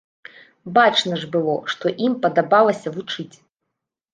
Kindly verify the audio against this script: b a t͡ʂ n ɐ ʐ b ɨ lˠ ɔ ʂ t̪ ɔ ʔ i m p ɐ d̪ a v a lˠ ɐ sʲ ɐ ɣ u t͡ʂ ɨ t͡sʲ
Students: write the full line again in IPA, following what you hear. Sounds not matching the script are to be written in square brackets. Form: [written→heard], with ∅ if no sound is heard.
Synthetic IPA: b a t͡ʂ n ɐ ʐ b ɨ lˠ ɔ ʂ t̪ ɔ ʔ i m p ɐ d̪ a [v→b] a lˠ ɐ sʲ ɐ [ɣ→v] u t͡ʂ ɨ t͡sʲ